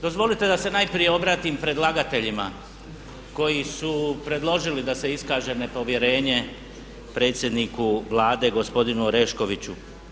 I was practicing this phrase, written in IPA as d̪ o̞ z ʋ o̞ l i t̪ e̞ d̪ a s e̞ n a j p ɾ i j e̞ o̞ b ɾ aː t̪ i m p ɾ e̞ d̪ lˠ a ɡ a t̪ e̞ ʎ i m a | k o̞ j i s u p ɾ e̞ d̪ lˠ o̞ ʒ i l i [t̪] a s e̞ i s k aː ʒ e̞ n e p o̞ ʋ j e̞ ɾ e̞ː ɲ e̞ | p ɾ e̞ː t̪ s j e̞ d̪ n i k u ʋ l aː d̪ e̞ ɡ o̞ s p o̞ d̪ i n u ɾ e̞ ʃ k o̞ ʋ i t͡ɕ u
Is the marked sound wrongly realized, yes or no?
yes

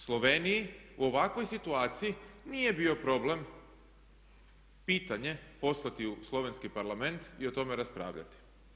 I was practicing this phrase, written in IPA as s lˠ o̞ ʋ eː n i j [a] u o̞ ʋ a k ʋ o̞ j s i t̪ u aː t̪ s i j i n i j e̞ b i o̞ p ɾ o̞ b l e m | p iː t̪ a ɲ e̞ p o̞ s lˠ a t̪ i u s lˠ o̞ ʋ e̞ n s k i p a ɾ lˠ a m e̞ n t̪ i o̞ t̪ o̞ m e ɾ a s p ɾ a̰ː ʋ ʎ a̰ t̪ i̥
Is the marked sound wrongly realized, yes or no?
yes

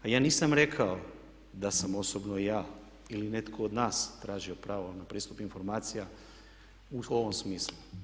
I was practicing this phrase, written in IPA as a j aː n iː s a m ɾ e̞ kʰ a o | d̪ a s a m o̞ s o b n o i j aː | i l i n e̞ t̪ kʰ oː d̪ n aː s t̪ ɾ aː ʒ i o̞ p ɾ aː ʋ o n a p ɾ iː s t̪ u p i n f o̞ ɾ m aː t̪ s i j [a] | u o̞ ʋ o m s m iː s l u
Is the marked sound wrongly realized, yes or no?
no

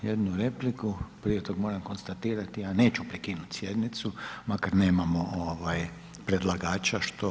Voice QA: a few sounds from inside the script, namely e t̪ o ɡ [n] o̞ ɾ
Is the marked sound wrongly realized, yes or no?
yes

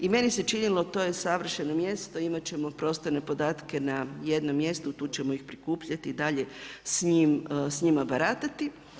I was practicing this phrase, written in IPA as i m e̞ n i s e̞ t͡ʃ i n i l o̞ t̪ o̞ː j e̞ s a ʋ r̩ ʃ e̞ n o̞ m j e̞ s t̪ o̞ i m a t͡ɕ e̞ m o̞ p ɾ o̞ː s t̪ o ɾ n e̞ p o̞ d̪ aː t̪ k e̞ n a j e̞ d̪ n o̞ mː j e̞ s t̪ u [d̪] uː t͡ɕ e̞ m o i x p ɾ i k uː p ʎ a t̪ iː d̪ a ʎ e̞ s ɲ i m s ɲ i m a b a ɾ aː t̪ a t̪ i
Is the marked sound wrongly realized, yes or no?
yes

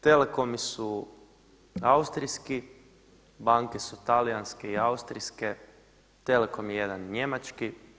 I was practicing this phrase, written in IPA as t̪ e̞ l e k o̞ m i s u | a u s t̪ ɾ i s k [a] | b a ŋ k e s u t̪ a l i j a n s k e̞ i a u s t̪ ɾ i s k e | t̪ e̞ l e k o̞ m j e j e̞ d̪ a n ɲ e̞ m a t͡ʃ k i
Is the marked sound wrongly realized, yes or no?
yes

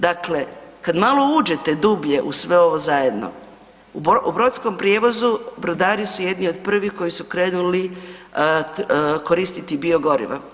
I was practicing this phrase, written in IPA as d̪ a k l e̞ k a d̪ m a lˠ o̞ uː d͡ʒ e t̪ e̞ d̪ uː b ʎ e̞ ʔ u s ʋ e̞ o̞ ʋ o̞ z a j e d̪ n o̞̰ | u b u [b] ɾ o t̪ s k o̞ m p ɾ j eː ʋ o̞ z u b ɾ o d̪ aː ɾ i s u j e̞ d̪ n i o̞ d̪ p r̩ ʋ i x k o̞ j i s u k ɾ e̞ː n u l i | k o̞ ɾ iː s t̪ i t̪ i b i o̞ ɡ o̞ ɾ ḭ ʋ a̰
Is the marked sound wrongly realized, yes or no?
no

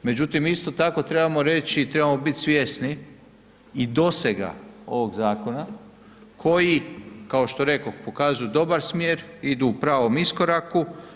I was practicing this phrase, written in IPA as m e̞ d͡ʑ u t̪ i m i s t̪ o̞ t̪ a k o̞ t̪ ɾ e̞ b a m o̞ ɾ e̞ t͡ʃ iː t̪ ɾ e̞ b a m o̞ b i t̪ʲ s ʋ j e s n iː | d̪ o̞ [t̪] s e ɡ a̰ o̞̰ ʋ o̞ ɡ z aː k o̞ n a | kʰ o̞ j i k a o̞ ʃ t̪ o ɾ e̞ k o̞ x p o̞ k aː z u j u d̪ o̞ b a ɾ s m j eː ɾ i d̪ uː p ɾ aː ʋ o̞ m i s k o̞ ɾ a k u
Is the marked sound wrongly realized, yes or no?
yes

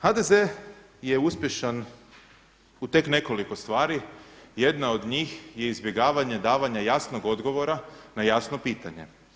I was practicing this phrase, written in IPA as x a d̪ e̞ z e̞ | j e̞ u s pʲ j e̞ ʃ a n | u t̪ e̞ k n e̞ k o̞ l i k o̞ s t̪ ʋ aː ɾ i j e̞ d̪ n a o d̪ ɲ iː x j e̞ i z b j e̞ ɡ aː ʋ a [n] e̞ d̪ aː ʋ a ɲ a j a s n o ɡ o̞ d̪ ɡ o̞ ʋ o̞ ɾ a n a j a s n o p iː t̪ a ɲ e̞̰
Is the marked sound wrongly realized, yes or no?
yes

